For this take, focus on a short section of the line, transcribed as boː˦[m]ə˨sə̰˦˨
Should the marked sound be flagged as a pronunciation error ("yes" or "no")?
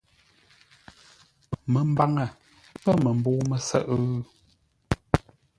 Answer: no